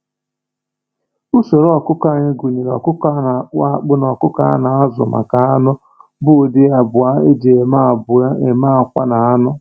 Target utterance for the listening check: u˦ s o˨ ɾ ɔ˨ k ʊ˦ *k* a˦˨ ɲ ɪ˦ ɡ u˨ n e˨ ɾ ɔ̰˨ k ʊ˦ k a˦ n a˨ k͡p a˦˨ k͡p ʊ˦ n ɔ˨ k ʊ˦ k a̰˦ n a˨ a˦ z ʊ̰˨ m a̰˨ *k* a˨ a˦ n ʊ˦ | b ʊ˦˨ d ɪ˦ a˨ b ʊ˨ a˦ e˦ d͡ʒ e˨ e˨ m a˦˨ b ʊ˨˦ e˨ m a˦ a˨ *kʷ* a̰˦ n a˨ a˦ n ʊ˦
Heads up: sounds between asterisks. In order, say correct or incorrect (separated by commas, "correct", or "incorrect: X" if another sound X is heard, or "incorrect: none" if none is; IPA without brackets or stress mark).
correct, correct, correct